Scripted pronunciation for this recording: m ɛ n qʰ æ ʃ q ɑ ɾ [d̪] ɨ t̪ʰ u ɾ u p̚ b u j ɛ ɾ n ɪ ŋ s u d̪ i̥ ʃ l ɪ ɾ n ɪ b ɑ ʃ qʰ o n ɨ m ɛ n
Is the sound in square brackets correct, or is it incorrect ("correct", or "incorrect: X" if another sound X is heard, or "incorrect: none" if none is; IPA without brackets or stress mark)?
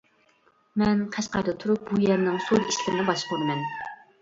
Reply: correct